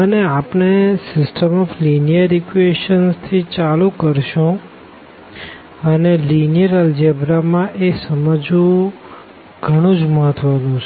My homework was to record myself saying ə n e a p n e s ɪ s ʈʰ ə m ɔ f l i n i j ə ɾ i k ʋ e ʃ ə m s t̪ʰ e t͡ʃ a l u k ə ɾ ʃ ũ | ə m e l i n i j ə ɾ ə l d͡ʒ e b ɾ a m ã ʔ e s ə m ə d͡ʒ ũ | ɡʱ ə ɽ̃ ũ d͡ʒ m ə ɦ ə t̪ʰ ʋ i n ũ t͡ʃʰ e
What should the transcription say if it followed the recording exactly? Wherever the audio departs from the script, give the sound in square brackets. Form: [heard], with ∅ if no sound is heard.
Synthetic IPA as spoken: ə n e a p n e s ɪ s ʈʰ ə m ɔ f l i n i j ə ɾ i k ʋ e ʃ ə [n] s t̪ʰ [i] t͡ʃ a l u k ə ɾ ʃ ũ | ə [n] e l i n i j ə ɾ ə l d͡ʒ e b ɾ a m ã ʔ e s ə m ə d͡ʒ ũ | ɡʱ ə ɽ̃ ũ d͡ʒ m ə ɦ ə t̪ʰ ʋ [a] n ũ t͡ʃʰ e